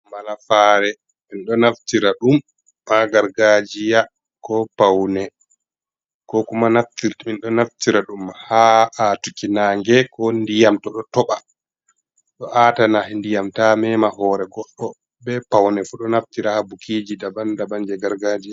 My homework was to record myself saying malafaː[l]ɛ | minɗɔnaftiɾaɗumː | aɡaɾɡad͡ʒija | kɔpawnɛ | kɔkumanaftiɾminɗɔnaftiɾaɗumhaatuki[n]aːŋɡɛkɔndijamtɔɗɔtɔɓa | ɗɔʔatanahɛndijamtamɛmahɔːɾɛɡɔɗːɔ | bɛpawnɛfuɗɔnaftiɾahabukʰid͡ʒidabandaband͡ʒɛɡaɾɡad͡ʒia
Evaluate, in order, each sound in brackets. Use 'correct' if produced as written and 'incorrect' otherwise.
incorrect, correct

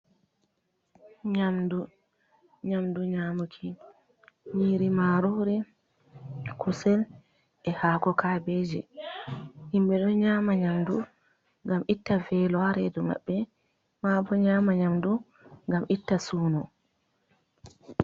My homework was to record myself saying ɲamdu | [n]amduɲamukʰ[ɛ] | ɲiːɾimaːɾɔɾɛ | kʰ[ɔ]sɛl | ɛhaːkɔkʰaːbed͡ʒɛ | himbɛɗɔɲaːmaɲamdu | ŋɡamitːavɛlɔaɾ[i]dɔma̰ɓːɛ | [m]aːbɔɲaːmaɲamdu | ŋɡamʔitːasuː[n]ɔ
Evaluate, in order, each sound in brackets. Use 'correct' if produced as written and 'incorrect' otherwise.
incorrect, incorrect, incorrect, incorrect, correct, correct

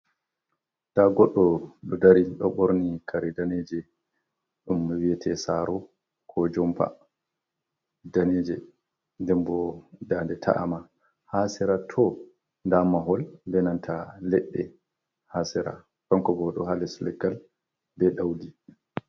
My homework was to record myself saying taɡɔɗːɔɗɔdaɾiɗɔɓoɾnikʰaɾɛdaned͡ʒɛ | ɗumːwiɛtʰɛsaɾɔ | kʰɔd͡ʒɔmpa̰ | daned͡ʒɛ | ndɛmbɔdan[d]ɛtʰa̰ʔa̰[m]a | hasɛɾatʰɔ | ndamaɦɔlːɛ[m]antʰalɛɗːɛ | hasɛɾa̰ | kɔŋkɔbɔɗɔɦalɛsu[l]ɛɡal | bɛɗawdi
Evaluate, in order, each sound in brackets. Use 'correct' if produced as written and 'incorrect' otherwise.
correct, correct, incorrect, correct

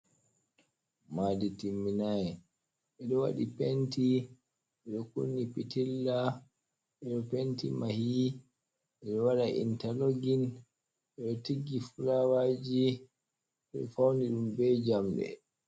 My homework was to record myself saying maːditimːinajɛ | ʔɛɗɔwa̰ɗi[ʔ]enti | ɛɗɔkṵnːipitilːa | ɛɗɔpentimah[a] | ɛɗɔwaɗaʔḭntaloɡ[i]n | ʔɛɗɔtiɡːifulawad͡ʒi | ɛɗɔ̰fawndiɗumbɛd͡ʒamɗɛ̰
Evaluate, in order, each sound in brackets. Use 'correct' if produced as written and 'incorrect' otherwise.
incorrect, incorrect, correct

